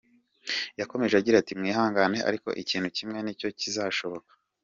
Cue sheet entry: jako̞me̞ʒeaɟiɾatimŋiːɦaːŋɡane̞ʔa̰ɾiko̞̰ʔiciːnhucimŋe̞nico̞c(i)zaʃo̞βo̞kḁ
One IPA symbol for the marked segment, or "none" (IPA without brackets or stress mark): i